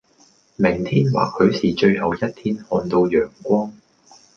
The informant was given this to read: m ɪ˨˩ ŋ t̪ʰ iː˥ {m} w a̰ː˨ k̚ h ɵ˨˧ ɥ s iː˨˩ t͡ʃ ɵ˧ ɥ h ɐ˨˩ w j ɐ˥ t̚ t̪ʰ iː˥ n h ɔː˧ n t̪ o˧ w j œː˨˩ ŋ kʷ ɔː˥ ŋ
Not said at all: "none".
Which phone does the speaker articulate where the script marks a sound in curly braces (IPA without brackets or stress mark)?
n